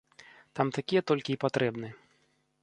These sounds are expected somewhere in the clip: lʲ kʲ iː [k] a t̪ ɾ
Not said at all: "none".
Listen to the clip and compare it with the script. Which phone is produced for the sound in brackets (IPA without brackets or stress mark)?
p